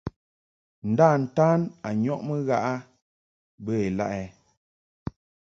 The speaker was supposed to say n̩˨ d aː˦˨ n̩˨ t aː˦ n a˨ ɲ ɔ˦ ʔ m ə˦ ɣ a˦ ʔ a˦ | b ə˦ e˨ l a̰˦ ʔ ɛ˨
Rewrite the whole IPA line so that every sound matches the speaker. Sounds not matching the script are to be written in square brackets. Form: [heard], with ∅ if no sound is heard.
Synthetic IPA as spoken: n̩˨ d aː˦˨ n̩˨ t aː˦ n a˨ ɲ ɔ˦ ʔ m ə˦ ɣ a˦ ʔ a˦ | b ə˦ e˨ l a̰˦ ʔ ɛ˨